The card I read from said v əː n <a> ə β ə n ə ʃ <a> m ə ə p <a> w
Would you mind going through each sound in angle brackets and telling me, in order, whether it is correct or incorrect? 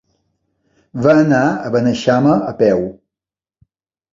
correct, correct, incorrect: ɛ

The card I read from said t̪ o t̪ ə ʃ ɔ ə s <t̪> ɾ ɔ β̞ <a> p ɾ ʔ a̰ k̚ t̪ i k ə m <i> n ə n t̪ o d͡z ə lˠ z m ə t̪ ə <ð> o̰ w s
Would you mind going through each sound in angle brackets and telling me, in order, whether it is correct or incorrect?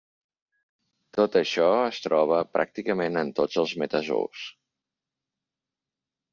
correct, incorrect: ə, incorrect: e, incorrect: z

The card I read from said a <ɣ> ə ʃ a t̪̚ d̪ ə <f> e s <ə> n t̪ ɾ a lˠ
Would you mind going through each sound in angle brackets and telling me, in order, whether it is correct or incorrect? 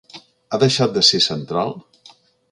incorrect: ð, incorrect: s, correct

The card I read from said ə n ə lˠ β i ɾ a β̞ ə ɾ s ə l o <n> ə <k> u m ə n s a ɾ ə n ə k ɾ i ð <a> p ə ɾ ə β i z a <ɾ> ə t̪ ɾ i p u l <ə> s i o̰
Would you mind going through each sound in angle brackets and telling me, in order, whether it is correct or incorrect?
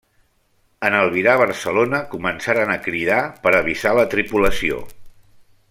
correct, correct, correct, incorrect: l, correct

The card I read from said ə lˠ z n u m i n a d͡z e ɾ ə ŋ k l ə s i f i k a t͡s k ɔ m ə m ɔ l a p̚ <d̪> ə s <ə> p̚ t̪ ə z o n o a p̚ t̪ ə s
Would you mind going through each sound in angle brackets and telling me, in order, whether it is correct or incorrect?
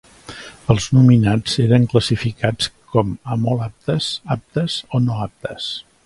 incorrect: t̪, incorrect: a

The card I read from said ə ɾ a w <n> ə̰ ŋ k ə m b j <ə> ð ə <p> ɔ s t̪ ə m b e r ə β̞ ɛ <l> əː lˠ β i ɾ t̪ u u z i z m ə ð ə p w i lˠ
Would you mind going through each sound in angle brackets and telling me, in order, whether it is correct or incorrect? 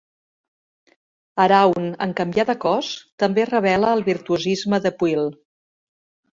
correct, incorrect: a, incorrect: k, correct

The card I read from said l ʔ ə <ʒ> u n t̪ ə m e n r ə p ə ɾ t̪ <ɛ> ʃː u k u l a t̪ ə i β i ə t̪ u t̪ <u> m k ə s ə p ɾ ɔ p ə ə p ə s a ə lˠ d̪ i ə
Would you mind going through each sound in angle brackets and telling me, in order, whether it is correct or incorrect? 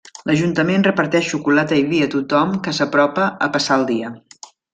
correct, correct, incorrect: ɔ

